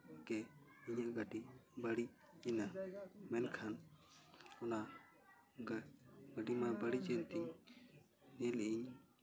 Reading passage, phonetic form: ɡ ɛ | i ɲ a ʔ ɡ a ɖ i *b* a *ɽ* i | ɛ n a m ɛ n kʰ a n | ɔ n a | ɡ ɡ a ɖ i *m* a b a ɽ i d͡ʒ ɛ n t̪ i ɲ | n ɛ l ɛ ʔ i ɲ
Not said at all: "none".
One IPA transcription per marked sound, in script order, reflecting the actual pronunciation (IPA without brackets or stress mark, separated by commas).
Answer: b, ɽ, m